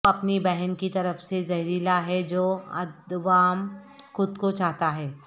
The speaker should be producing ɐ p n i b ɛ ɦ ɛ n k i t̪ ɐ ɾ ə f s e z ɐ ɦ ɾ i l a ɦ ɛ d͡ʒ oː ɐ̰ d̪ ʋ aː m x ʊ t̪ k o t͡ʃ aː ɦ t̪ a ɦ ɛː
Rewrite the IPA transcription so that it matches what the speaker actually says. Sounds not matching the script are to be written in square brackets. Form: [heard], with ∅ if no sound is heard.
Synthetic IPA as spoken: ɐ p n i b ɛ ɦ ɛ n k i t̪ ɐ ɾ ə f s e z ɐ ɦ ɾ i l a ɦ ɛ d͡ʒ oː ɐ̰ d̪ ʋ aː m x ʊ [d̪] k o t͡ʃ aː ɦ t̪ a ɦ ɛː